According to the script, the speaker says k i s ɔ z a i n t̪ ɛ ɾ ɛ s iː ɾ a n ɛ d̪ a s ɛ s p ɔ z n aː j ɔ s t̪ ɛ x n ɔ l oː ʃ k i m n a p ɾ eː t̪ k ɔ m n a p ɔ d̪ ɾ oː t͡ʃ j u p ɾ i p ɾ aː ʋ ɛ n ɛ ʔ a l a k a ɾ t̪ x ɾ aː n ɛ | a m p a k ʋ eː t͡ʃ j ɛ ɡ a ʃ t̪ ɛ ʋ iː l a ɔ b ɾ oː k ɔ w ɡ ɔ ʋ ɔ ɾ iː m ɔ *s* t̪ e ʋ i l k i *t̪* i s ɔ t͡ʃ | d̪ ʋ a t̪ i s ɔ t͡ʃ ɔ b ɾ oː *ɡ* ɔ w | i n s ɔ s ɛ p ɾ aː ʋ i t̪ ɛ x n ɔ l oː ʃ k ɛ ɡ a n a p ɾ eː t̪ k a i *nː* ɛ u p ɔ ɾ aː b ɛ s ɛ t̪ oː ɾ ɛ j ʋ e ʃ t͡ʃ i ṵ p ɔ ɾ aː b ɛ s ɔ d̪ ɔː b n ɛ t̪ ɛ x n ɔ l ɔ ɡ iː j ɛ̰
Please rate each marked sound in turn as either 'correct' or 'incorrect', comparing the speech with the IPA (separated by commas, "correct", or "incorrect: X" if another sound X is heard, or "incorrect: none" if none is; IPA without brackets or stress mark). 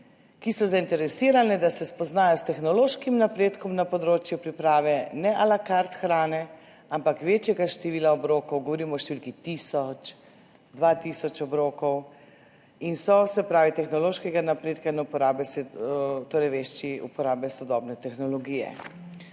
incorrect: ʃ, correct, incorrect: k, incorrect: n